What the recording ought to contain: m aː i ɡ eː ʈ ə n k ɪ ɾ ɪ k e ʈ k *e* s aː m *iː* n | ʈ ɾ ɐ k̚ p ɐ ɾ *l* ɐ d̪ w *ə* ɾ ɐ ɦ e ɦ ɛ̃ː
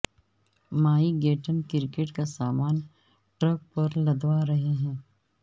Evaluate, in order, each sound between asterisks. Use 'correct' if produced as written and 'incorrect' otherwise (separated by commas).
incorrect, incorrect, correct, incorrect